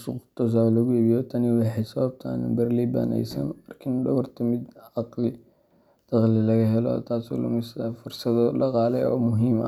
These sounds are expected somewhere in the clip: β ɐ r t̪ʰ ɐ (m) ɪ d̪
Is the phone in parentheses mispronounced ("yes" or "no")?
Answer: no